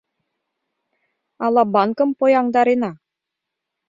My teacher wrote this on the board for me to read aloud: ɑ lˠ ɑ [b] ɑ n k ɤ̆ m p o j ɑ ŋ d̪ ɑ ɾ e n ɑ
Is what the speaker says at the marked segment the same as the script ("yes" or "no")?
yes